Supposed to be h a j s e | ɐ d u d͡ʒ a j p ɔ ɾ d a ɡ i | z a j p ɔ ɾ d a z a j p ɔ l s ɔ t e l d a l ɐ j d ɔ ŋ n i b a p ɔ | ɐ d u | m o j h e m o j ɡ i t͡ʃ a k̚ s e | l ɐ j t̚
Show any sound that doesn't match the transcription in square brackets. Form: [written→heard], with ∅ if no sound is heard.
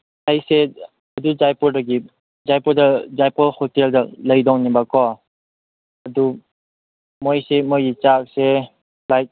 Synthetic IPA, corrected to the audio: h a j s e | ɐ d u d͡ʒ a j p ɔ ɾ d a ɡ i | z a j p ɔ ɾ d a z a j p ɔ l [s→h] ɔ t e l d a l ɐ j d ɔ ŋ n i b a [p→k] ɔ | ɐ d u | m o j [h→s] e m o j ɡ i t͡ʃ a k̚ s e | l [ɐ→a] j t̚